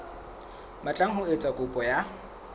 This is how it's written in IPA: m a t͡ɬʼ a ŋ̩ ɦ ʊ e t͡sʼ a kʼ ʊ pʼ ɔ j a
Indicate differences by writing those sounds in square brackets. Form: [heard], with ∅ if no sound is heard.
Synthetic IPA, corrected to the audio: m a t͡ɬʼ a ŋ̩ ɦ ʊ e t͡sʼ a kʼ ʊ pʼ ɔ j a